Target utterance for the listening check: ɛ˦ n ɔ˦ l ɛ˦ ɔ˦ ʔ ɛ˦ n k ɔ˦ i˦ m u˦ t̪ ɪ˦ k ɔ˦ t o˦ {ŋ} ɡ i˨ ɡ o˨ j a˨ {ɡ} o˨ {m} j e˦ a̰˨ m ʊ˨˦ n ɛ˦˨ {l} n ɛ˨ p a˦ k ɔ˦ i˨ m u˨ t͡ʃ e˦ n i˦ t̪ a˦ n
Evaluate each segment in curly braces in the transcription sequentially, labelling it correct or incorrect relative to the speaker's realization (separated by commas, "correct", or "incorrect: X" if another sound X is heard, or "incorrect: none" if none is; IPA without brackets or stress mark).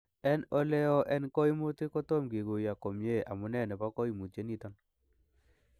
incorrect: m, incorrect: k, correct, incorrect: none